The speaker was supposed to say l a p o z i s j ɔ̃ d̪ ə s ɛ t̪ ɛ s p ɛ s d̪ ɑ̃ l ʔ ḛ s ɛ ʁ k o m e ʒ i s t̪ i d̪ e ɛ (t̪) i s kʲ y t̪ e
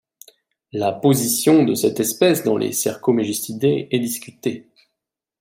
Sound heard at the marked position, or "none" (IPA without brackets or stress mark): d̪